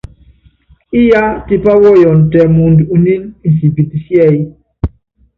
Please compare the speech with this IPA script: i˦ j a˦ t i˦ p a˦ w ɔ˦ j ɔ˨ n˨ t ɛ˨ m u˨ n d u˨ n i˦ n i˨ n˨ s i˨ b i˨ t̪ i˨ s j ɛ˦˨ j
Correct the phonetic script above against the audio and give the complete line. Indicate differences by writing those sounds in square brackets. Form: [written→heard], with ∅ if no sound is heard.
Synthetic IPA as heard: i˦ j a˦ t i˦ p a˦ w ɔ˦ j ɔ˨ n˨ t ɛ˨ m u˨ n d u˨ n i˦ n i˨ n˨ s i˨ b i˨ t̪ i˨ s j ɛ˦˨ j